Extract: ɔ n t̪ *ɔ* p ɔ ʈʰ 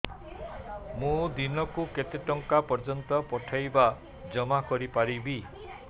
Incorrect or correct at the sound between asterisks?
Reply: correct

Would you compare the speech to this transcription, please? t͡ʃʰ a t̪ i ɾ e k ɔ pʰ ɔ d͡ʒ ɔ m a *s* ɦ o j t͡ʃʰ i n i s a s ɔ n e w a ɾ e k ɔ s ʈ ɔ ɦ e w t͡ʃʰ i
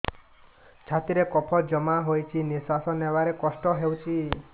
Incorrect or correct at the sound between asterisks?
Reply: incorrect: none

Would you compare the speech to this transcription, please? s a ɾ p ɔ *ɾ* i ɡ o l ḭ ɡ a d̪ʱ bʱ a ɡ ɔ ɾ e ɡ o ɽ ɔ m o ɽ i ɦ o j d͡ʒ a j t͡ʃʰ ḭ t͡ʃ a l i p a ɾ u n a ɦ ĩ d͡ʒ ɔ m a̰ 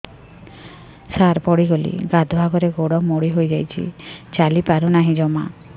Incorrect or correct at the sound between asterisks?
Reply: incorrect: ɽ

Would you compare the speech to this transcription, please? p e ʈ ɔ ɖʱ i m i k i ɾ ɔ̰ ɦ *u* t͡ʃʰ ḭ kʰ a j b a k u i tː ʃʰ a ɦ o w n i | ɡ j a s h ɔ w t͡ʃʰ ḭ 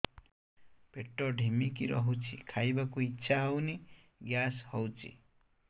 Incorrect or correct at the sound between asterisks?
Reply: correct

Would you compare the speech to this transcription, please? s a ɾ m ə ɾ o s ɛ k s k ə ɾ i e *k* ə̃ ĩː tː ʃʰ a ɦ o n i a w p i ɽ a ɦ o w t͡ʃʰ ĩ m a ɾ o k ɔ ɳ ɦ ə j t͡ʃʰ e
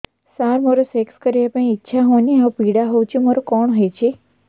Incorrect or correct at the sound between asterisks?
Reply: incorrect: p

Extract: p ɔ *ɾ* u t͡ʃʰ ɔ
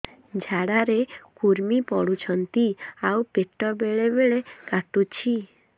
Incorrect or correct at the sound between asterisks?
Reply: incorrect: ɽ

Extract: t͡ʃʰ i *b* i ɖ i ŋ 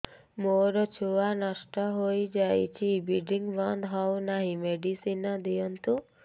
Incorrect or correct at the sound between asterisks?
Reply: correct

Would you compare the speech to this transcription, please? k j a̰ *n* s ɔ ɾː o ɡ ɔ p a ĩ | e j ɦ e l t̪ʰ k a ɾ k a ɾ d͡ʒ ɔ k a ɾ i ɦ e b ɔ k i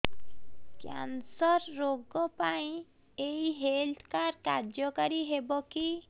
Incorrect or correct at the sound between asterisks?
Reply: correct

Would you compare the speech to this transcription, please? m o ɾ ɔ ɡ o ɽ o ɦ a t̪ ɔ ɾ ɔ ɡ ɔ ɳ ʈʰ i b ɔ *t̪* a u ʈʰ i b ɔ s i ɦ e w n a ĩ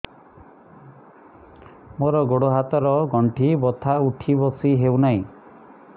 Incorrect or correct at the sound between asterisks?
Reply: incorrect: t̪ʰ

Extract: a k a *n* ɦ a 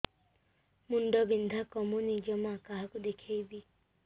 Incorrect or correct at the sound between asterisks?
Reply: incorrect: none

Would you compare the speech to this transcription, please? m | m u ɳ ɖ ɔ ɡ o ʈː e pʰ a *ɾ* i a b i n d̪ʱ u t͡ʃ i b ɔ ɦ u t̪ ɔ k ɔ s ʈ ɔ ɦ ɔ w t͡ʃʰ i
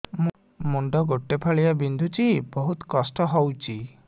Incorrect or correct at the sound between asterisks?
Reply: incorrect: ɭ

